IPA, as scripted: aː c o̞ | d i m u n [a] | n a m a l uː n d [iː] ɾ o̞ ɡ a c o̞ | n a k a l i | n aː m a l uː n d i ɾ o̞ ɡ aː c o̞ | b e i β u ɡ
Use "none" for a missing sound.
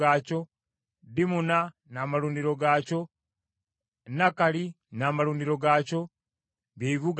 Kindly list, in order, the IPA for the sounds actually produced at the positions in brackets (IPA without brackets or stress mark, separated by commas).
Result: a, i